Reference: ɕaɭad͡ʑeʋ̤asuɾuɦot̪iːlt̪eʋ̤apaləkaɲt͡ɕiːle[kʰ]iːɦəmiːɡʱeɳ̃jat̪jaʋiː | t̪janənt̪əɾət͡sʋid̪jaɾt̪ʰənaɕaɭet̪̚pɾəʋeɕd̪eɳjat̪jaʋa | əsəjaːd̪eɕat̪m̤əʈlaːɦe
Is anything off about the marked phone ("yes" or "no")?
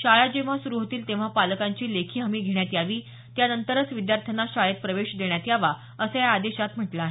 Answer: no